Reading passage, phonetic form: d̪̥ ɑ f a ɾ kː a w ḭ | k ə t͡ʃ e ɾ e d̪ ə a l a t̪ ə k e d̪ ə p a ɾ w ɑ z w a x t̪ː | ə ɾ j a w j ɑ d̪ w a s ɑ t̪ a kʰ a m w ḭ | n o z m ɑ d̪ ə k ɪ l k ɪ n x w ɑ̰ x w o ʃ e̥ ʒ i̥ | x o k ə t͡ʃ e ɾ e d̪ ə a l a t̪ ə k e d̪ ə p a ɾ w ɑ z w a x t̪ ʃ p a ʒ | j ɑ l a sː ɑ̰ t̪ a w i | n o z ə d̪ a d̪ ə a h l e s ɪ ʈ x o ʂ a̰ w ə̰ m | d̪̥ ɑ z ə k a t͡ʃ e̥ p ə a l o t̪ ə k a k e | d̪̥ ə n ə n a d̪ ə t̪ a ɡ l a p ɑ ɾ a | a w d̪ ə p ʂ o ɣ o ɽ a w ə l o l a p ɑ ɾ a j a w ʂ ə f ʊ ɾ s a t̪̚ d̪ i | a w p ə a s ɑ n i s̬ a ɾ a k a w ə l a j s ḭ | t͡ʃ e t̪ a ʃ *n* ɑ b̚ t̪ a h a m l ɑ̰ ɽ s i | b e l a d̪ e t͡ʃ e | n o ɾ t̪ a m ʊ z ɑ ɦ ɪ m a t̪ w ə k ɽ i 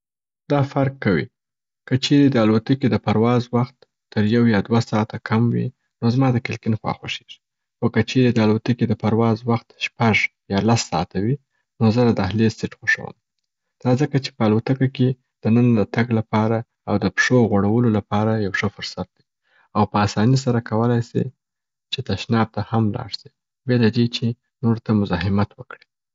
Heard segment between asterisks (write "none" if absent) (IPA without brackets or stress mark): n